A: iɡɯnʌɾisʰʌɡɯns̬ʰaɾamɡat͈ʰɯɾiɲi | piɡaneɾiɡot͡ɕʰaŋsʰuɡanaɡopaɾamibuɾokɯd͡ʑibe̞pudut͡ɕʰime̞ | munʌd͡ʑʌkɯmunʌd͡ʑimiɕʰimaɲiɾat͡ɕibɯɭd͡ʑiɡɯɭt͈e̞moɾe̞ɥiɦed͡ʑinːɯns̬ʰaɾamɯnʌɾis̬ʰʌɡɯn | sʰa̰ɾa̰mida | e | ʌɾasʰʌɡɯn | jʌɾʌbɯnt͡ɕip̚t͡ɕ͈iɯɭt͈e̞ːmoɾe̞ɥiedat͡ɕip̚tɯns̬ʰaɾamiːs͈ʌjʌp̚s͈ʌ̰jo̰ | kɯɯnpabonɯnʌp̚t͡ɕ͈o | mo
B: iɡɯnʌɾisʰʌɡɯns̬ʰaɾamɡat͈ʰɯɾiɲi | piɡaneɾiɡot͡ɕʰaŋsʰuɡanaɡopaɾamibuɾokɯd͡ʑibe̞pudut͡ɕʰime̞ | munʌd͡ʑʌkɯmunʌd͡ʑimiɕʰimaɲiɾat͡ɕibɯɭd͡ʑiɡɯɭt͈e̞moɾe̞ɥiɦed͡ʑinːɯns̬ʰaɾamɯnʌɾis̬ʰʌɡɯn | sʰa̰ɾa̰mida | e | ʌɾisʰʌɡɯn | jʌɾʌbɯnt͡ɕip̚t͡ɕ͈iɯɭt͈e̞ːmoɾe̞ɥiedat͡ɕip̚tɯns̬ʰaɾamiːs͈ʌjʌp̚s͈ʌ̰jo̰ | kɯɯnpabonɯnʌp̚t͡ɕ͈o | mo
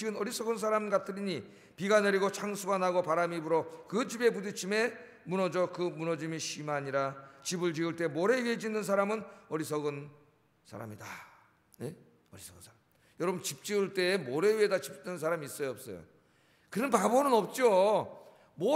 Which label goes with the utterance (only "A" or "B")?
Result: B